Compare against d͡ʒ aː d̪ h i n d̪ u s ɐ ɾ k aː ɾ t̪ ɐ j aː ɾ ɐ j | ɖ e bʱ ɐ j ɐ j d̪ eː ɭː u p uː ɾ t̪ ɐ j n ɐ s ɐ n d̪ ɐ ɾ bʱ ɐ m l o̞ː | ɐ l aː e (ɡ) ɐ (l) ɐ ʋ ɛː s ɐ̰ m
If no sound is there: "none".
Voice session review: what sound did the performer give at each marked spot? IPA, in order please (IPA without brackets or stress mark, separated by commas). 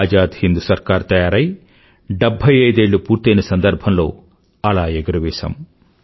ɡ, ɾ